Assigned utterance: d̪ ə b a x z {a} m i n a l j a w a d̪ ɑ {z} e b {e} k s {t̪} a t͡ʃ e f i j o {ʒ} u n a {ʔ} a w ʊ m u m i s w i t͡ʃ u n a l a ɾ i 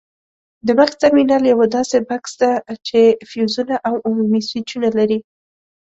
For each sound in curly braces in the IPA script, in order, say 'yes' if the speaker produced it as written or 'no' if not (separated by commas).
yes, no, no, no, no, yes